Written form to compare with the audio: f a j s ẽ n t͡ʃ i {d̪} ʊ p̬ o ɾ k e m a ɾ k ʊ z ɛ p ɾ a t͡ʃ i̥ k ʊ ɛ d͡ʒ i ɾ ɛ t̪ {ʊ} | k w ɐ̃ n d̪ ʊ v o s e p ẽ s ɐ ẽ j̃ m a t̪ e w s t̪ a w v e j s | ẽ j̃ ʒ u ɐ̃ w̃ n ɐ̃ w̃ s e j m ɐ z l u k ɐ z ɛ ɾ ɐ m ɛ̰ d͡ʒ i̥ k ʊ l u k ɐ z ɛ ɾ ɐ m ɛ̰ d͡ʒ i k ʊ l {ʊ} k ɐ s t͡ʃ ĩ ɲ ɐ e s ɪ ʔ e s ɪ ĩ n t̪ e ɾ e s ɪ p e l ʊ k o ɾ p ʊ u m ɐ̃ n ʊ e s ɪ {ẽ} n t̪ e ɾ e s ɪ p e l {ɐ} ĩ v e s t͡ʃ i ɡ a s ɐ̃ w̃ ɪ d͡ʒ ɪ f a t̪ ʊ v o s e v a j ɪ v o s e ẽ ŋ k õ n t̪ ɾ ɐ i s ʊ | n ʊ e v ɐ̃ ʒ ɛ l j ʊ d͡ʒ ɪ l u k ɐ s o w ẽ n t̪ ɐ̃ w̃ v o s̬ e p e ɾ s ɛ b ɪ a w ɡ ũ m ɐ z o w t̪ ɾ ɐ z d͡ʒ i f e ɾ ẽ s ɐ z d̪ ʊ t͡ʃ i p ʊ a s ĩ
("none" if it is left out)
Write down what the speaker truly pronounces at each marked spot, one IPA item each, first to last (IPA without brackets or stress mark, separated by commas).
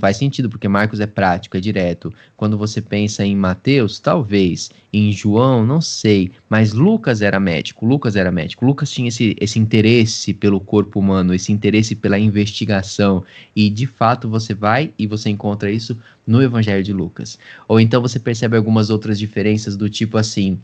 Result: d̪, ʊ, u, ĩ, ɐ